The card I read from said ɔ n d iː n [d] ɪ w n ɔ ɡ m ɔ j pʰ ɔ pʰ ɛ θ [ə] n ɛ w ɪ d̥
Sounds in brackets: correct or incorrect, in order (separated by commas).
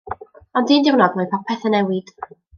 correct, correct